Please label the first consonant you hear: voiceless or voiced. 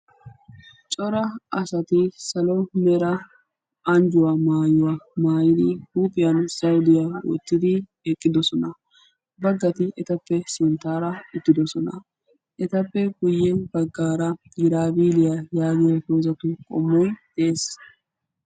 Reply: voiceless